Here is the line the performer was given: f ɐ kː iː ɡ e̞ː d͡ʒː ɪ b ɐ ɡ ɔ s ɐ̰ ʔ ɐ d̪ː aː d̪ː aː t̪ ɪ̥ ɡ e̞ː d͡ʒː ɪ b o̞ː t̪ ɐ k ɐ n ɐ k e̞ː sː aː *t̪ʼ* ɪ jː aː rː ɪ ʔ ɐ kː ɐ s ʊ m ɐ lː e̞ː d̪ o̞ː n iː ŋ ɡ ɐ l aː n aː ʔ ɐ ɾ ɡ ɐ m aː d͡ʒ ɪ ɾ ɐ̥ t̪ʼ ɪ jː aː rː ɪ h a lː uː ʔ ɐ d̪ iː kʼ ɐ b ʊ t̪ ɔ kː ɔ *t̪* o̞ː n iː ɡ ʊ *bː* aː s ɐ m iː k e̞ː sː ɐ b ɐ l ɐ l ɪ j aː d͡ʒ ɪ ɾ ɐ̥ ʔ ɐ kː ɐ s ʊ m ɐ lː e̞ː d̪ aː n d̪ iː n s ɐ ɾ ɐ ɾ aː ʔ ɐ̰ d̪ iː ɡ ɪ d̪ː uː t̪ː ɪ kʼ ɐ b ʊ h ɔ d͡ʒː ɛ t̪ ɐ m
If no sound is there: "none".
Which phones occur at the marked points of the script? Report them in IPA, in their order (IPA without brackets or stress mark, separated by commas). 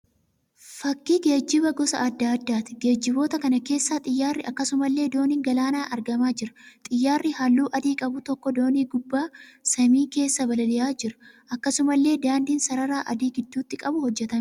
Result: t̪ʼ, d̪, bː